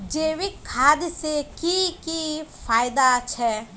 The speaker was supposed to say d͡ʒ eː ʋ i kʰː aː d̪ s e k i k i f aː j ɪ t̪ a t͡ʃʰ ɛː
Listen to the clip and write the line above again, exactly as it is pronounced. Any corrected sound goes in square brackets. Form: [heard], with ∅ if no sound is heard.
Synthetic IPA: d͡ʒ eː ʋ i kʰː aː d̪ s e k i k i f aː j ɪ [d̪] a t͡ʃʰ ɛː